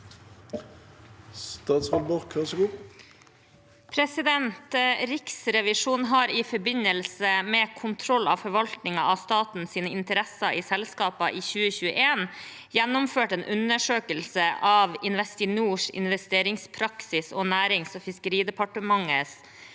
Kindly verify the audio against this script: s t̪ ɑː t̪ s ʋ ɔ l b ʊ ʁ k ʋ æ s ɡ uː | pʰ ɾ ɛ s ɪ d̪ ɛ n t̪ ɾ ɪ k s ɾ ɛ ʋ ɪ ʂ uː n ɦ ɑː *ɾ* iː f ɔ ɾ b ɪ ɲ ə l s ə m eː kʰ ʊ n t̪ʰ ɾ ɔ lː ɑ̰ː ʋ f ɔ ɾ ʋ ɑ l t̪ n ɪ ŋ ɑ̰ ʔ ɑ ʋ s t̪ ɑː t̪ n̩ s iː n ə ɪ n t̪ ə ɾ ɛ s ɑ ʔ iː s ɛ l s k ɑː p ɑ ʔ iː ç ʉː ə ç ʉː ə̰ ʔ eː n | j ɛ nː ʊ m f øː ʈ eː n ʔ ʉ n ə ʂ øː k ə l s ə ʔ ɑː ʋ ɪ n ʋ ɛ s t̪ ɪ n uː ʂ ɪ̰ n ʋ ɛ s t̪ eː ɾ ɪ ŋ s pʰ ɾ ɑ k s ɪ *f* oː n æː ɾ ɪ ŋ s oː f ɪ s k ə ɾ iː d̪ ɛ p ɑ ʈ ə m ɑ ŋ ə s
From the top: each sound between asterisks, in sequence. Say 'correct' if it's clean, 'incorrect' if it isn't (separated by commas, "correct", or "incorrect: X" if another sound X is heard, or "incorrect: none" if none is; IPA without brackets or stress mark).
correct, incorrect: s